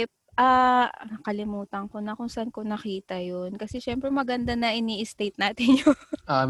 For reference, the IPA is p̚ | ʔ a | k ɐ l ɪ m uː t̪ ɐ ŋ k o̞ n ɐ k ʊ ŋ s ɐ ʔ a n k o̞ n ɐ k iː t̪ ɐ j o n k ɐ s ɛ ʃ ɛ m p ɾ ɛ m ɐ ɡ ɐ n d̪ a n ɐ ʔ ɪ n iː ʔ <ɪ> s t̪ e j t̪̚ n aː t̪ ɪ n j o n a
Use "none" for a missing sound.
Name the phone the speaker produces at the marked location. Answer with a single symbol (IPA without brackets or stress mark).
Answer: ɪ